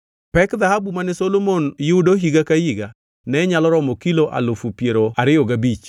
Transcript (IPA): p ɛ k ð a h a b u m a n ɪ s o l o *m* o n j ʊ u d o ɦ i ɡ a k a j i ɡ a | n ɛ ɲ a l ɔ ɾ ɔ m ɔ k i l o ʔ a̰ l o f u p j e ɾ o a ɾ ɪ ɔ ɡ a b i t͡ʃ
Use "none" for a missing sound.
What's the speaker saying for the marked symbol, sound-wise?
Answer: m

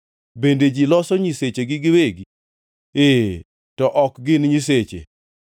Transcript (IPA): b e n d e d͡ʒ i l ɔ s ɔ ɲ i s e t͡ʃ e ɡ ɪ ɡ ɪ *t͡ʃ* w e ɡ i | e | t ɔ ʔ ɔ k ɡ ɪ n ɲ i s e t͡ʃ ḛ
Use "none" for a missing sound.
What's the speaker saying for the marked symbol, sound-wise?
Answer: none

